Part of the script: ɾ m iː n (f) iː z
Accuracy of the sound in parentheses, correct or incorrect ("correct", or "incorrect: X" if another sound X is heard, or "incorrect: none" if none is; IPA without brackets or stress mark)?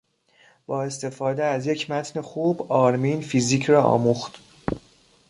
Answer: correct